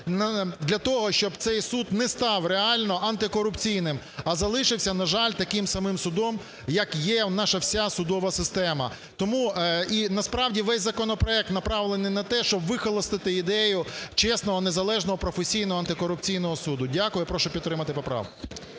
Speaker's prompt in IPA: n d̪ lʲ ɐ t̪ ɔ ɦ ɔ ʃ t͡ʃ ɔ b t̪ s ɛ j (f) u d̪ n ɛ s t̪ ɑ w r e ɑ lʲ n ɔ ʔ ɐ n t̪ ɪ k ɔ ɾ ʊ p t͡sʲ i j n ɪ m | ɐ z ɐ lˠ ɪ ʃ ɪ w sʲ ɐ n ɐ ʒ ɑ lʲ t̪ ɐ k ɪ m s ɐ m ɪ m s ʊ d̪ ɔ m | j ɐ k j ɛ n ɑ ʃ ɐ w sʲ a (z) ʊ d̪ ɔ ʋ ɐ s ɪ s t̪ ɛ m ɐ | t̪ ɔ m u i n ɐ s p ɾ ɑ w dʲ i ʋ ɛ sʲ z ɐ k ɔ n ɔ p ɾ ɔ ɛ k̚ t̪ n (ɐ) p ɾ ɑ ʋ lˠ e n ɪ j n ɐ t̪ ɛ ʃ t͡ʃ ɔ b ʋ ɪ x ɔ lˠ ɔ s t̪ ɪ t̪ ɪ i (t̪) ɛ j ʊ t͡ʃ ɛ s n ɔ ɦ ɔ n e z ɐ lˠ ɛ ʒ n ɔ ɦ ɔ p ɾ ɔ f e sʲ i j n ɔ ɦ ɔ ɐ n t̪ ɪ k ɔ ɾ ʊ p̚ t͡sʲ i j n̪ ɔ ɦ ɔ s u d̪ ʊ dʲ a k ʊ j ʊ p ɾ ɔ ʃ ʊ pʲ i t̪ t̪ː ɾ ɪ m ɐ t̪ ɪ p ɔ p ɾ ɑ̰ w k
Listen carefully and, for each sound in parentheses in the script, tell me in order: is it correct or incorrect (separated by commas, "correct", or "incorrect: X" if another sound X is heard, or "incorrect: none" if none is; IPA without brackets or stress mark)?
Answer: incorrect: s, incorrect: s, correct, incorrect: d̪